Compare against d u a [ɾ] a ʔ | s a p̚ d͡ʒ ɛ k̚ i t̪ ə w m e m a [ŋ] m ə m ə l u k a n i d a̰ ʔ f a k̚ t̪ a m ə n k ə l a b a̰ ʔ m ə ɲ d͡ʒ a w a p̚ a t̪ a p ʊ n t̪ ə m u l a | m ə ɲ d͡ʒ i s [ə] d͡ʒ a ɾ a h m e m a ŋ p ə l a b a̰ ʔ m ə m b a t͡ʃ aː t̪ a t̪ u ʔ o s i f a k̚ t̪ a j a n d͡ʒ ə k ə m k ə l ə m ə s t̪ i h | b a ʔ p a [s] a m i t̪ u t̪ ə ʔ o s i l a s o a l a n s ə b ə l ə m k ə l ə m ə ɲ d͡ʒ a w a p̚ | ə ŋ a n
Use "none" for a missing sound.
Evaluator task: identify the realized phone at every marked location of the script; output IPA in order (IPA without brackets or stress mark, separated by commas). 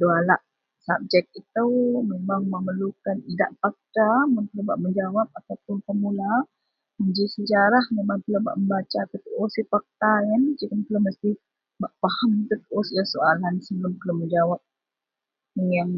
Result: l, ŋ, ə, h